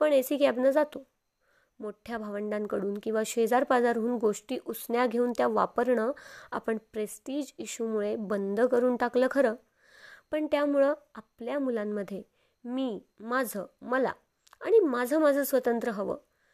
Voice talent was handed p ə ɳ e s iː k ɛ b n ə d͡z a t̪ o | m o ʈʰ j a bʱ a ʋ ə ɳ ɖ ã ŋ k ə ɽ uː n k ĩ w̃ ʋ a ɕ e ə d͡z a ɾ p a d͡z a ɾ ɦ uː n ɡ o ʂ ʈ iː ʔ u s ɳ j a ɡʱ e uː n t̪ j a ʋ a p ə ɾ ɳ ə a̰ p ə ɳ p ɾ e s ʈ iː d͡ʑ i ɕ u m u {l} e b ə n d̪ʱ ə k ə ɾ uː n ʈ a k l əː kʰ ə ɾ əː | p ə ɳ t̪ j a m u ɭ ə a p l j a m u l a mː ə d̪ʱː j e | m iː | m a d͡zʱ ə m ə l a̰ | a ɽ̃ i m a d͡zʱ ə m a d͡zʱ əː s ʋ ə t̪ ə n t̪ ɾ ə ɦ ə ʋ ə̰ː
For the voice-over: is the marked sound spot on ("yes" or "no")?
no